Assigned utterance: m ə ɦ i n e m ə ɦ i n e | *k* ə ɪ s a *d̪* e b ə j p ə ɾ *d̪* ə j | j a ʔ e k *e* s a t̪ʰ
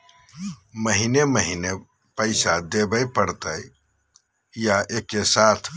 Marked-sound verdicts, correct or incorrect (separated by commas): incorrect, correct, incorrect, correct